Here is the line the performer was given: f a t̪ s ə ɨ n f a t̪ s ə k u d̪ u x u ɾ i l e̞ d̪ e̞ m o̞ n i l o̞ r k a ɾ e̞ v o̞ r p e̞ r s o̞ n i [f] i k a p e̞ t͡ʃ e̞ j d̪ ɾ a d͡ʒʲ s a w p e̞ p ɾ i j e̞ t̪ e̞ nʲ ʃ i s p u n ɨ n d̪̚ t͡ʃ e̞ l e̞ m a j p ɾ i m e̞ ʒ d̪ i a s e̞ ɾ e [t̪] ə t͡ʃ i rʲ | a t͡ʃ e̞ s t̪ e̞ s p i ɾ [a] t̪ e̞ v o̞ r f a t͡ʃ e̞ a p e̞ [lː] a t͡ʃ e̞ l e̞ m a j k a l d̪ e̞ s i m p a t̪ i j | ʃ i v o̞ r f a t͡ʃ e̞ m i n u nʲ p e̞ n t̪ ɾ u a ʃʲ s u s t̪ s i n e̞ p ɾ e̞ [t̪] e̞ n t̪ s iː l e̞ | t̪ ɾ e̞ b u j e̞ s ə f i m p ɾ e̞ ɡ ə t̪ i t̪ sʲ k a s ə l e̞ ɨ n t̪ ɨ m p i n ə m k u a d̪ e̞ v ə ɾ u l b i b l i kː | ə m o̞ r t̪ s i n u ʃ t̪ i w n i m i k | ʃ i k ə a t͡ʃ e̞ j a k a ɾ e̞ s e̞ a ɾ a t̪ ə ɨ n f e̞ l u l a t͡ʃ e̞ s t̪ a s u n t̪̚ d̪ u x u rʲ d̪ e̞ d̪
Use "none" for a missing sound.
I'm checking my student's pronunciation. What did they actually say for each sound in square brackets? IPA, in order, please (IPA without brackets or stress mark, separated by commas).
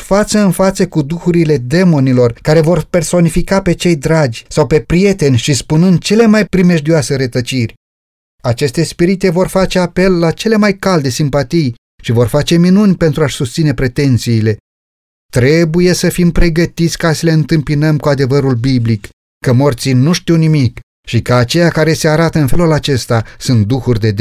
f, t̪, i, lː, t̪